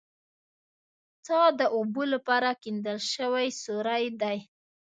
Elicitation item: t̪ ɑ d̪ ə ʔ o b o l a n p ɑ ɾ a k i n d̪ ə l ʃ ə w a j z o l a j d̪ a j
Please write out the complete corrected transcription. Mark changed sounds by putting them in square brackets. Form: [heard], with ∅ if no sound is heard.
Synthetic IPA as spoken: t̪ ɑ d̪ ə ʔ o b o l a [∅] p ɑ ɾ a k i n d̪ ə l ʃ ə w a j [s] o [ɾ] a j d̪ a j